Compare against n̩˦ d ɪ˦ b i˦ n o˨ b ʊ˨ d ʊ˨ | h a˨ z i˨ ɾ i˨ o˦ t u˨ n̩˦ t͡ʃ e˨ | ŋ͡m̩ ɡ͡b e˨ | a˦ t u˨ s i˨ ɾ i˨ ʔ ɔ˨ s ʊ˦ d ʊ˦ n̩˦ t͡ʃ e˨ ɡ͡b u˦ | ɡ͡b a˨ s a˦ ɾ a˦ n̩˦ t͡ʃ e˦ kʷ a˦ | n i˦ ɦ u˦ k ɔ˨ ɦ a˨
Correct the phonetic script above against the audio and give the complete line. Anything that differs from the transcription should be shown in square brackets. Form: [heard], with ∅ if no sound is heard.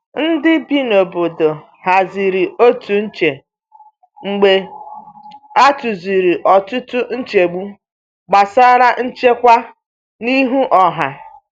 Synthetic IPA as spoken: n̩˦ d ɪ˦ b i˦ n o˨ b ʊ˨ d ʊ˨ | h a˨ z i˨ ɾ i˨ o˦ t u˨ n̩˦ t͡ʃ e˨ | ŋ͡m̩ ɡ͡b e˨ | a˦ t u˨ [z] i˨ ɾ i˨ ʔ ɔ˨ [t] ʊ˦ [t] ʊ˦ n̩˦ t͡ʃ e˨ ɡ͡b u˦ | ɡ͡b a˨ s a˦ ɾ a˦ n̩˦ t͡ʃ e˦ kʷ a˦ | n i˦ ɦ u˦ [ʔ] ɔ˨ ɦ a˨